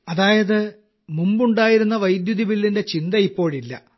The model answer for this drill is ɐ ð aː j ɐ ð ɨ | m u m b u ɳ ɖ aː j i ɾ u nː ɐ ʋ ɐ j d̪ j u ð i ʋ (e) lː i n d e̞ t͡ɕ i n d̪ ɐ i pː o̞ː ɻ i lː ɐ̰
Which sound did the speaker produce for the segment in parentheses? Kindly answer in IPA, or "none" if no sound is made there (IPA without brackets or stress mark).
i